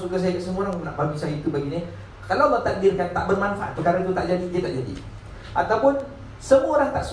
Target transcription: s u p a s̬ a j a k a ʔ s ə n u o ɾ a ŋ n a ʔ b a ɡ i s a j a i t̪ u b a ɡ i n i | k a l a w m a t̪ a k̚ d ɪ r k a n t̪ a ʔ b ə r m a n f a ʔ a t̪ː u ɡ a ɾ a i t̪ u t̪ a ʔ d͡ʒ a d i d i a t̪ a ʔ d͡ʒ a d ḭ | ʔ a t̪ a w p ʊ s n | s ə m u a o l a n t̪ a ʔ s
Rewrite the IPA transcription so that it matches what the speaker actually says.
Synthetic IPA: s u k a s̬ a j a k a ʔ s ə m u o ɾ a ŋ n a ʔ b a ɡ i s a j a i t̪ u b a ɡ i n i | k a l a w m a t̪ a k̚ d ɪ r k a n t̪ a ʔ b ə r m a n f a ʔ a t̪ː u k a ɾ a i t̪ u t̪ a ʔ d͡ʒ a d i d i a t̪ a ʔ d͡ʒ a d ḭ | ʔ a t̪ a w p ʊ n | s ə m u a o ɾ a ŋ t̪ a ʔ s